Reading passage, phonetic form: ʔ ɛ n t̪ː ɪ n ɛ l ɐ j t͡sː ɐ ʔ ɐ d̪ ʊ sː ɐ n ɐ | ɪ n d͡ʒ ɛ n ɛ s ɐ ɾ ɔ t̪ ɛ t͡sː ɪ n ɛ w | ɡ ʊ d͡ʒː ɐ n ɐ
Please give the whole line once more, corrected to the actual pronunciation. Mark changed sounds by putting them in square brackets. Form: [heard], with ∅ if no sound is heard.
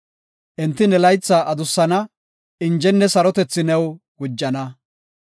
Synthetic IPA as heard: ʔ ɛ n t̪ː ɪ n ɛ l ɐ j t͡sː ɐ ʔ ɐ d̪ ʊ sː ɐ n ɐ | ɪ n d͡ʒ ɛ [nː] ɛ s ɐ ɾ ɔ t̪ ɛ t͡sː ɪ n ɛ w | ɡ ʊ d͡ʒː ɐ n ɐ